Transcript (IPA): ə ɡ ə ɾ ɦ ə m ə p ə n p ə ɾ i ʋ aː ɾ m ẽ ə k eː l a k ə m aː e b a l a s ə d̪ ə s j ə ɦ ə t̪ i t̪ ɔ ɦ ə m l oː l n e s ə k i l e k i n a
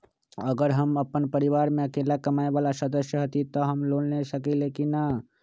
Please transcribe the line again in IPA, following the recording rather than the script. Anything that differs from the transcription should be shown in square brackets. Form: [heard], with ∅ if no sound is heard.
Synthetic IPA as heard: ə ɡ ə ɾ ɦ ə m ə p ə n p ə ɾ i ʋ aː ɾ m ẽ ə k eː l a k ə m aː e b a l a s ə d̪ ə s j ə ɦ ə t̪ i t̪ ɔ ɦ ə m l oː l n e s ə k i l e k i n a